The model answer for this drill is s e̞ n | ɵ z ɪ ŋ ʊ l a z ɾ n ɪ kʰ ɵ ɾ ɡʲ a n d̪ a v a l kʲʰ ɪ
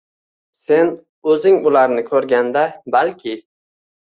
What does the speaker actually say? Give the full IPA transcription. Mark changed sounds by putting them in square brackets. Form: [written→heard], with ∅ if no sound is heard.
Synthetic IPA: s e̞ n | ɵ z ɪ ŋ ʊ l a [z→∅] ɾ n ɪ kʰ ɵ ɾ ɡʲ a n d̪ a [v→b] a l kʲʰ ɪ